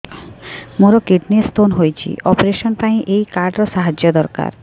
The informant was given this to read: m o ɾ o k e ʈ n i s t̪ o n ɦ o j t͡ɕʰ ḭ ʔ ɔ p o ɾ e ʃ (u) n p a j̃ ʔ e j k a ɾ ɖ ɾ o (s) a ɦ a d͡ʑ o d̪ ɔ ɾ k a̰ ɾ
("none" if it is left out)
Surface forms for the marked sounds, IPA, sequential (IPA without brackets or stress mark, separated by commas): o, ʃ